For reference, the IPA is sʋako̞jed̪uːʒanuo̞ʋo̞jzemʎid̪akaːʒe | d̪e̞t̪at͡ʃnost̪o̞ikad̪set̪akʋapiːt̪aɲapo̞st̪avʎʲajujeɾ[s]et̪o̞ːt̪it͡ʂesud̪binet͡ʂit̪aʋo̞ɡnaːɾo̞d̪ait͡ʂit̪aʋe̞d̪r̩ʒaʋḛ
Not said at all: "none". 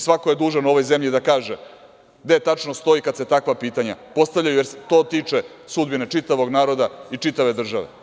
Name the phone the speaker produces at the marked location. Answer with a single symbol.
s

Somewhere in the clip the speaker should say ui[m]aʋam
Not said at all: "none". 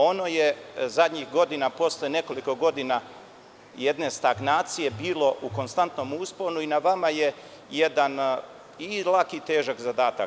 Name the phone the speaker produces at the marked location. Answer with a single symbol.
n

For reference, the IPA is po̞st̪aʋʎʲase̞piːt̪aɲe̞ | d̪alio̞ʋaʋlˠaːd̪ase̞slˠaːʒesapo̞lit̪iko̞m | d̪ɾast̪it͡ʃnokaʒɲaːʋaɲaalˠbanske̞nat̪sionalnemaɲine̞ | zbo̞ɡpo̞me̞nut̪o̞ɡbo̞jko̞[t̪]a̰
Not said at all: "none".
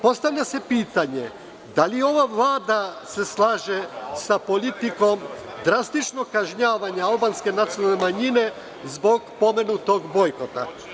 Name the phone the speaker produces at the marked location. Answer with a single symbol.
t̪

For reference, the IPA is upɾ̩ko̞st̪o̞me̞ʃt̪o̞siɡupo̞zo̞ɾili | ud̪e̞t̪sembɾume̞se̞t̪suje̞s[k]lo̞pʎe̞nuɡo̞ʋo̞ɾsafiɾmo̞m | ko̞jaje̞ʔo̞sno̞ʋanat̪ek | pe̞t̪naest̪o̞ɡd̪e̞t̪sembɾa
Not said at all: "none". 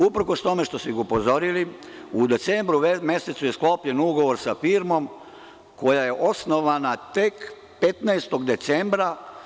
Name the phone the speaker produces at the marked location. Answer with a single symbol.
k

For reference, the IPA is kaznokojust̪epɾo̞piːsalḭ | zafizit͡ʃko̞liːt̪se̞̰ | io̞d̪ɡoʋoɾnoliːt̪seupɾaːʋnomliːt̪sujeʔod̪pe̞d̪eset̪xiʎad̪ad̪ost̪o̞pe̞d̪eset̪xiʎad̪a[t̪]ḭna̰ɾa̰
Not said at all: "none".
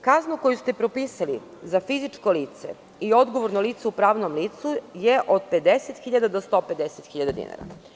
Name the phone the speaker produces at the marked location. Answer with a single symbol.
d̪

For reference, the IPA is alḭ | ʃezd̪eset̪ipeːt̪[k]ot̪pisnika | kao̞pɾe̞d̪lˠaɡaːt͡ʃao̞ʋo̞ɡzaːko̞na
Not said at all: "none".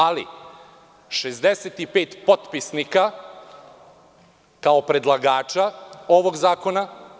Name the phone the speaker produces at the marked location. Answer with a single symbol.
p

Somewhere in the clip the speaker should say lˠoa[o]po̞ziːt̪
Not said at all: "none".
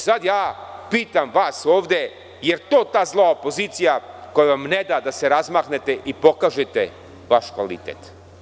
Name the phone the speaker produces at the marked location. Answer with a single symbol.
o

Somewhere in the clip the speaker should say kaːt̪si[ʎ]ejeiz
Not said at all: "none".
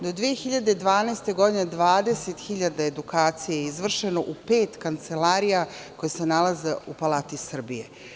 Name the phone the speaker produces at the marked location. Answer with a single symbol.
j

